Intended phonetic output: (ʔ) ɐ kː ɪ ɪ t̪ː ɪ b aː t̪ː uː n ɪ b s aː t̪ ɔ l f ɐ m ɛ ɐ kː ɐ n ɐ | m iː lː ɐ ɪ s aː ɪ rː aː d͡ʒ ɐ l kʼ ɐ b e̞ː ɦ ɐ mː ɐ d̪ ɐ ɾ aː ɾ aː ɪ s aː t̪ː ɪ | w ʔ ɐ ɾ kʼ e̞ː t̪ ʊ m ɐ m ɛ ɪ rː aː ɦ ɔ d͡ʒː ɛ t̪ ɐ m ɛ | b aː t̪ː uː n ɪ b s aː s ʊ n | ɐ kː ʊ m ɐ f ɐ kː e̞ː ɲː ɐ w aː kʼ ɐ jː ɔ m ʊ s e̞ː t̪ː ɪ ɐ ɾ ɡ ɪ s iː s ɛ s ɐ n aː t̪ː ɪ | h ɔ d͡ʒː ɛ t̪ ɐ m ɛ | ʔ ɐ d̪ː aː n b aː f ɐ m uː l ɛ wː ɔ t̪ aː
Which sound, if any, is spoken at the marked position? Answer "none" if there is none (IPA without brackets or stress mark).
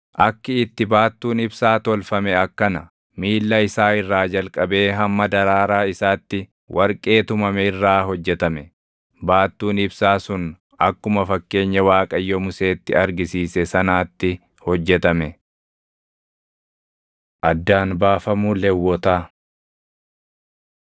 ʔ